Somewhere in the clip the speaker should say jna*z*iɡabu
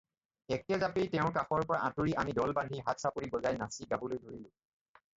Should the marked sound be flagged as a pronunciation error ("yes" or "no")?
yes